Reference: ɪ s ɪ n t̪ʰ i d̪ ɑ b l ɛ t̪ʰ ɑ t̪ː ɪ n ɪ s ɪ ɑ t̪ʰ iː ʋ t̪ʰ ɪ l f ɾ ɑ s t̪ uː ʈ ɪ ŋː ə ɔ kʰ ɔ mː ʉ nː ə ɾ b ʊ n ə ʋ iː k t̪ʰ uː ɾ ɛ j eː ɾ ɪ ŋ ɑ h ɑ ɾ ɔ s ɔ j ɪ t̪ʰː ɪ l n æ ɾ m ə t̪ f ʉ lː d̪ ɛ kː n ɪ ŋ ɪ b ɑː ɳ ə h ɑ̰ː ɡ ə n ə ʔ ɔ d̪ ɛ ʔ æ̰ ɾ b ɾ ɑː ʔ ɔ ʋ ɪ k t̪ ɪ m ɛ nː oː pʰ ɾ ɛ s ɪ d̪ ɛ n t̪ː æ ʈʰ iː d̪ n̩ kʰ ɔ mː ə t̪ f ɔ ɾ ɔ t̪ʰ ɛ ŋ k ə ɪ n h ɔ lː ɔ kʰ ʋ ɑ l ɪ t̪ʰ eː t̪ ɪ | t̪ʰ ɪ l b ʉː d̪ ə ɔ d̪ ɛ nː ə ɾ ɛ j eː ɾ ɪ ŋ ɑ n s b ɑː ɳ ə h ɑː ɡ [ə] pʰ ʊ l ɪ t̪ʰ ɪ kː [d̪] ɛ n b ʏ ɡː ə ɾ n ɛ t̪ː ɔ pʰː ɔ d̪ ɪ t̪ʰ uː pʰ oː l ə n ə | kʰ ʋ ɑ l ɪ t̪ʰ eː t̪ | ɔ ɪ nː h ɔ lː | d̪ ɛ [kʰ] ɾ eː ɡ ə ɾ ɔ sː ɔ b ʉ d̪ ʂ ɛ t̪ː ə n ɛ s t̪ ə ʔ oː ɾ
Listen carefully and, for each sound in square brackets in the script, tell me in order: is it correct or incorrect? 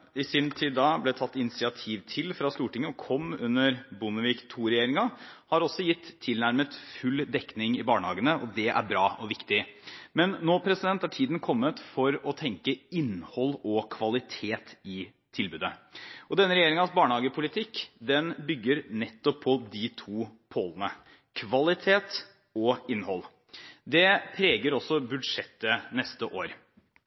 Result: correct, correct, incorrect

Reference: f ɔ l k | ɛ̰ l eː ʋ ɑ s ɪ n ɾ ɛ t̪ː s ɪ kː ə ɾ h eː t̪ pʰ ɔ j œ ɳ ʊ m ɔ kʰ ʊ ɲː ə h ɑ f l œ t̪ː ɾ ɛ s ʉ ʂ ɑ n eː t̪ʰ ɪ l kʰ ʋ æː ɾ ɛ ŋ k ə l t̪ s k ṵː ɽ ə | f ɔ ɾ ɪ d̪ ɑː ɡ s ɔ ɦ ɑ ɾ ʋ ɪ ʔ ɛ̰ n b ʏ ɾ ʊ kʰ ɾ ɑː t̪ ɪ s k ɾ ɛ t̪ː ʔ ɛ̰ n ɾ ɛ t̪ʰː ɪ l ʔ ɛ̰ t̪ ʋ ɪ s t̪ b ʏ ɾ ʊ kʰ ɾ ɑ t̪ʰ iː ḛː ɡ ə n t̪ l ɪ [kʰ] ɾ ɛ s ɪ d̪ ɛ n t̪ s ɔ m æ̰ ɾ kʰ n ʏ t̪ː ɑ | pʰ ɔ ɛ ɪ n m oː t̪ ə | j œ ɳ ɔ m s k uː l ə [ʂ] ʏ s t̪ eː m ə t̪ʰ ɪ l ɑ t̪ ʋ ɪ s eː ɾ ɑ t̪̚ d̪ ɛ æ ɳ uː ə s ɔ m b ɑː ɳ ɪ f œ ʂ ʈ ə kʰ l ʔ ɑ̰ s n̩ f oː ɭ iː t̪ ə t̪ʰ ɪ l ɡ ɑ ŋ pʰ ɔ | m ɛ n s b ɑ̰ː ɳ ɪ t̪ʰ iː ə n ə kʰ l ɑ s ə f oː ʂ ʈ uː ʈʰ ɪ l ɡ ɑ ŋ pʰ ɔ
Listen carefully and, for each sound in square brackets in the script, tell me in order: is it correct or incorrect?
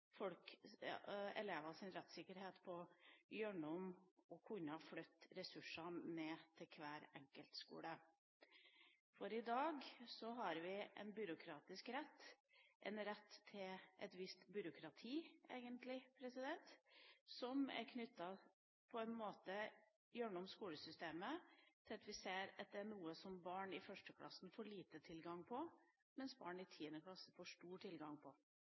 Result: incorrect, incorrect

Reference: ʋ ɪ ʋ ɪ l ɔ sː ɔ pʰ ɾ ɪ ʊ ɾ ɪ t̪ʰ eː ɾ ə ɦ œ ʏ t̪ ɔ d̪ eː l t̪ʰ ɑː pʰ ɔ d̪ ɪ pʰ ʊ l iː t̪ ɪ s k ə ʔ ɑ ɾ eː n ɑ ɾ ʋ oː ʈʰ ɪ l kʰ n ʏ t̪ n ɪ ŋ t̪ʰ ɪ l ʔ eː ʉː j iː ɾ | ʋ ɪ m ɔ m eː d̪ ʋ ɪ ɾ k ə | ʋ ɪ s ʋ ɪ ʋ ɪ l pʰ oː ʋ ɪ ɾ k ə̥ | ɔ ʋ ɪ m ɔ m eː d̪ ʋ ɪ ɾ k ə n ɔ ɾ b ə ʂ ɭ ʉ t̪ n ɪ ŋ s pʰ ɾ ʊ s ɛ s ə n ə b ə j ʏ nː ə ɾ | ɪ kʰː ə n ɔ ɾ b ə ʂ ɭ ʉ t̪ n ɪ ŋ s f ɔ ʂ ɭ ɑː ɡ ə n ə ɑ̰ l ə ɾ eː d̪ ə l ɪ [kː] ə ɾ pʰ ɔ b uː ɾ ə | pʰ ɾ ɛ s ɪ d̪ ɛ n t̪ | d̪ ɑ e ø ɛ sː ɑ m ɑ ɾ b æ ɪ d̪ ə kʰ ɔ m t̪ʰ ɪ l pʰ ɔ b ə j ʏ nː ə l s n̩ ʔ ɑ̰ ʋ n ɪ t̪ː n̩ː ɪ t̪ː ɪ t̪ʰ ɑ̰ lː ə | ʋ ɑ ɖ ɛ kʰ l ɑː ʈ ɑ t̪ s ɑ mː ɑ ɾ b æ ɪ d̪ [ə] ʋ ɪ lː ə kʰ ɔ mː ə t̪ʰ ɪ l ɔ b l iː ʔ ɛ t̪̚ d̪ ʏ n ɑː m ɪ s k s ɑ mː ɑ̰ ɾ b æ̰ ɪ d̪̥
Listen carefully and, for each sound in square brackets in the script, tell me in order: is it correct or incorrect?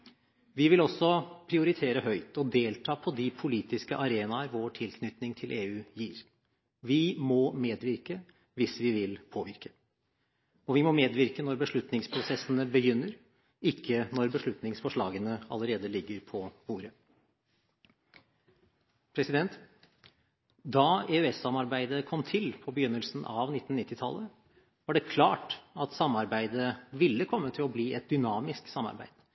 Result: incorrect, correct

